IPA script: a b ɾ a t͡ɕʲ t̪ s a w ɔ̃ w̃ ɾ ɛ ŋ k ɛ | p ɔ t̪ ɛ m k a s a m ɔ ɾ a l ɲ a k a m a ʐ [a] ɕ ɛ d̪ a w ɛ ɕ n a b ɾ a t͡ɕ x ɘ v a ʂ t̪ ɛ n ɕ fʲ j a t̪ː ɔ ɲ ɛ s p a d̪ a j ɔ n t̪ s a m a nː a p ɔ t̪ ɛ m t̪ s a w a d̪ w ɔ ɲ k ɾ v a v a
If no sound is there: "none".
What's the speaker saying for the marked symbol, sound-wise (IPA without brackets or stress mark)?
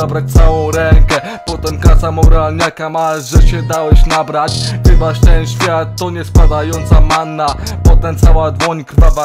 ɛ